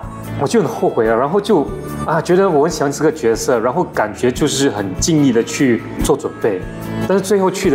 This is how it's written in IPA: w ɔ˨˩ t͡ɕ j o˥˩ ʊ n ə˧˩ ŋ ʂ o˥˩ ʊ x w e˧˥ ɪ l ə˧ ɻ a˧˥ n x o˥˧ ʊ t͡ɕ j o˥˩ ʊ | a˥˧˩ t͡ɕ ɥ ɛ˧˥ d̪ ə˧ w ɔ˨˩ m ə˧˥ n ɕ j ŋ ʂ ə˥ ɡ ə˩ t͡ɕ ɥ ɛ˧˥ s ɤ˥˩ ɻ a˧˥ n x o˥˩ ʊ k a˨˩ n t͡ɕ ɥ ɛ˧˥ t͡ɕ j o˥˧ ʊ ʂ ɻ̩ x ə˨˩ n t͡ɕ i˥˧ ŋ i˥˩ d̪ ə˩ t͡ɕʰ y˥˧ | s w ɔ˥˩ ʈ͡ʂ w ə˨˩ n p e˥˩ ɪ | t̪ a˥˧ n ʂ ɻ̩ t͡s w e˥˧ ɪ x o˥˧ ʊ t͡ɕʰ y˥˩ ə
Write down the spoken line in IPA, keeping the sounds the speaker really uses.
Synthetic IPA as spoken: w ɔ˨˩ t͡ɕ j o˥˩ ʊ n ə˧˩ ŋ x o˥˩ ʊ x w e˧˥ ɪ l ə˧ ɻ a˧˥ n x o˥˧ ʊ t͡ɕ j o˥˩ ʊ | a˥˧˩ t͡ɕ ɥ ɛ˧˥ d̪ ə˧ w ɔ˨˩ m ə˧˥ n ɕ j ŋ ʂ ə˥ ɡ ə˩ t͡ɕ ɥ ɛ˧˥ s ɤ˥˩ ɻ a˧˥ n x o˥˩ ʊ k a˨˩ n t͡ɕ ɥ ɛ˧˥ t͡ɕ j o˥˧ ʊ ʂ ɻ̩ x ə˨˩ n t͡ɕ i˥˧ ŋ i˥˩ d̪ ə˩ t͡ɕʰ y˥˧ | t͡s w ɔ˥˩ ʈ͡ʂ w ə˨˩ n p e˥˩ ɪ | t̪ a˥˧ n ʂ ɻ̩ t͡s w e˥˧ ɪ x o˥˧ ʊ t͡ɕʰ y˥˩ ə